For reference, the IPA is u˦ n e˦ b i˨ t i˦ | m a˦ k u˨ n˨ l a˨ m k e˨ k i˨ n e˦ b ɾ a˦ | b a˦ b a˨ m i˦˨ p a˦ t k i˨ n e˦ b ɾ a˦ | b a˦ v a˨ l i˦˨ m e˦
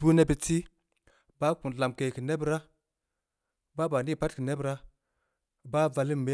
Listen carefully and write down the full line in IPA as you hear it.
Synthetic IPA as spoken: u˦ n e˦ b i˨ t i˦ | b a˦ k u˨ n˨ l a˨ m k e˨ k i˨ n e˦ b ɾ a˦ | b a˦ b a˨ n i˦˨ p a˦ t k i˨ n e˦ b ɾ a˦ | b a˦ v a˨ l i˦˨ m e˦

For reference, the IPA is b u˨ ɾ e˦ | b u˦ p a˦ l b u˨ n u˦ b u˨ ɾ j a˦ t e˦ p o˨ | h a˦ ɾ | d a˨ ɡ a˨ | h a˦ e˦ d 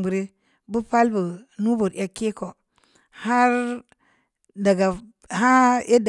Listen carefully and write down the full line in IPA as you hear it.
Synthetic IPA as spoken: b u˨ ɾ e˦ | b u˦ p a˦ l b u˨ n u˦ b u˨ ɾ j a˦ k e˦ k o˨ | h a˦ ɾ | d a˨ ɡ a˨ | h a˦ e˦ d

